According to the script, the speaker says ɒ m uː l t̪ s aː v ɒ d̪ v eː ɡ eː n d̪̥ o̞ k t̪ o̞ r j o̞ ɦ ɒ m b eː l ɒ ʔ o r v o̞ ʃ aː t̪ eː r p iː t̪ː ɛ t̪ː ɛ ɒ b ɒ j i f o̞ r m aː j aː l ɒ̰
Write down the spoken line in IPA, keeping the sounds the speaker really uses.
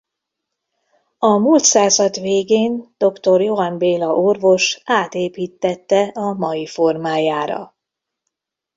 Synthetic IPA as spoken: ɒ m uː l t̪ s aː z ɒ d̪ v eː ɡ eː n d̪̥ o̞ k t̪ o̞ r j o̞ ɦ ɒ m b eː l ɒ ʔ o r v o̞ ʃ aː t̪ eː p iː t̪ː ɛ t̪ː ɛ ɒ m ɒ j i f o̞ r m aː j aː ɾ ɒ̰